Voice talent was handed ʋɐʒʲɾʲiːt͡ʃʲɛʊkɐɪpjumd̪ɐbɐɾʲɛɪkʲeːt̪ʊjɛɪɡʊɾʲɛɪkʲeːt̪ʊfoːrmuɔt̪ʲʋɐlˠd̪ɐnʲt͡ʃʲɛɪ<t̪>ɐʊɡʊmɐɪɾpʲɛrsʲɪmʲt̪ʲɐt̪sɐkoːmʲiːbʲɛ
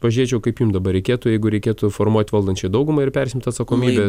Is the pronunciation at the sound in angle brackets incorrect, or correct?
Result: incorrect